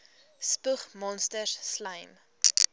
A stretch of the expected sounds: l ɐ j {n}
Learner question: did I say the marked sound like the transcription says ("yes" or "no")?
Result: no